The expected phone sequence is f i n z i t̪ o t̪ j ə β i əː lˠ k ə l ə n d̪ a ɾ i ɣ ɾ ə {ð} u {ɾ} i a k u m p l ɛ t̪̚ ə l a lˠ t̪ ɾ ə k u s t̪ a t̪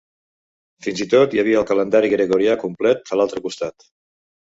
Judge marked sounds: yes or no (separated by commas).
no, yes